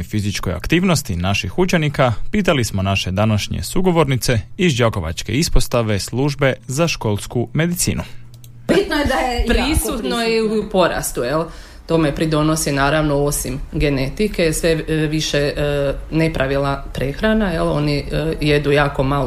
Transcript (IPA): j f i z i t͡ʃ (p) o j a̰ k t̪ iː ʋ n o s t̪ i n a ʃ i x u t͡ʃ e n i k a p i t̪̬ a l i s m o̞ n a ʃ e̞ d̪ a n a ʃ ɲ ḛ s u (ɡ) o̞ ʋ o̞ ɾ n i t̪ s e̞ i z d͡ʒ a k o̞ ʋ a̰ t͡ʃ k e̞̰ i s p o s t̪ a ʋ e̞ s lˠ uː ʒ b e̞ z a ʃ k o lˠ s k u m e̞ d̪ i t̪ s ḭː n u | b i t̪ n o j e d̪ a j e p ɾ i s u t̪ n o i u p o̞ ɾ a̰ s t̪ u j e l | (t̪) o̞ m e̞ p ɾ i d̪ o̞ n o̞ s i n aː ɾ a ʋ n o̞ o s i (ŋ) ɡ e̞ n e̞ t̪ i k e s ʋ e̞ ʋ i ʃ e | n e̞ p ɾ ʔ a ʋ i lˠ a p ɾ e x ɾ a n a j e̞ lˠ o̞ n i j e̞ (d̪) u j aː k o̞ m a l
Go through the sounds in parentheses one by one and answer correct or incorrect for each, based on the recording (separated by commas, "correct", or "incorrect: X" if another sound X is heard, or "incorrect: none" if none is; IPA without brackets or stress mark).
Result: incorrect: k, correct, correct, incorrect: m, correct